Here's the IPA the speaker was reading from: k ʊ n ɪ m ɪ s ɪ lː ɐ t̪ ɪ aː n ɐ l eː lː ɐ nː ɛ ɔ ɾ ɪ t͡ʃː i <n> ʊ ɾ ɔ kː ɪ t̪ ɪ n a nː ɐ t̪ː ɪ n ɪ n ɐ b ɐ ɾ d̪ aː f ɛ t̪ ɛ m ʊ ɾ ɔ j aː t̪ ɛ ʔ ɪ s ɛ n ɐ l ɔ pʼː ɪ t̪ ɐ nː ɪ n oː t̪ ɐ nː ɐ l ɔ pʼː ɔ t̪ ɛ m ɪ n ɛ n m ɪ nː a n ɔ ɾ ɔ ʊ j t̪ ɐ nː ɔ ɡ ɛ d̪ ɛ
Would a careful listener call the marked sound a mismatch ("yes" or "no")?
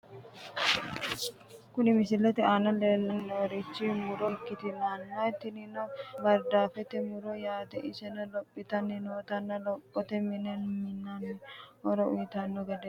yes